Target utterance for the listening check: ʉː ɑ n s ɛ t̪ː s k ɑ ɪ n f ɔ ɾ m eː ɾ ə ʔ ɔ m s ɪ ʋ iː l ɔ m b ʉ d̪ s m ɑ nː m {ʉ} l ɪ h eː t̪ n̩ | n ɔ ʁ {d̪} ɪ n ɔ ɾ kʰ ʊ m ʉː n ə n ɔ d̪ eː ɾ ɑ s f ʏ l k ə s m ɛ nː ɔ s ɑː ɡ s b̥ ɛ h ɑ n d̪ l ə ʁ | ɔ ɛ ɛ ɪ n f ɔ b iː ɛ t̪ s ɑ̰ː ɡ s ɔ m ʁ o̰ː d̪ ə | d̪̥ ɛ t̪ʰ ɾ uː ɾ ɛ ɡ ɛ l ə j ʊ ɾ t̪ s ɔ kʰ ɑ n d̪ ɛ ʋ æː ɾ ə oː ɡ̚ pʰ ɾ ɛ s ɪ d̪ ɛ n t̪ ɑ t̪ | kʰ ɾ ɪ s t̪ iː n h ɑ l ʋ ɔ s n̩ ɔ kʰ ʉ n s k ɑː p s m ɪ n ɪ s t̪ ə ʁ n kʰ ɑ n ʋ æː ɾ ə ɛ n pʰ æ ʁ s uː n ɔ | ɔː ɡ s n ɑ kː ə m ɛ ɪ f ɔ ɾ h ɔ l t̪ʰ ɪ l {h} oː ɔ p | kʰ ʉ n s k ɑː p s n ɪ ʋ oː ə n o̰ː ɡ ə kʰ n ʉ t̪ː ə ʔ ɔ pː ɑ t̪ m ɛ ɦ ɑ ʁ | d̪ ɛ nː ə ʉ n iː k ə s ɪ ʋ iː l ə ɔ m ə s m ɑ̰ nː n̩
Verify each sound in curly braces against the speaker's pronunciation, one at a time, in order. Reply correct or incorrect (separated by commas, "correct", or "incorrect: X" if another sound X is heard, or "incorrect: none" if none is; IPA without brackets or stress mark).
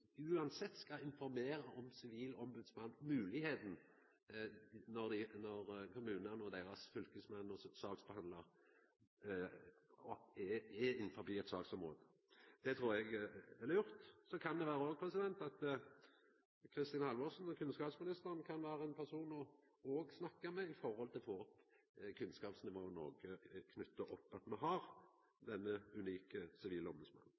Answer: incorrect: ʉː, correct, incorrect: f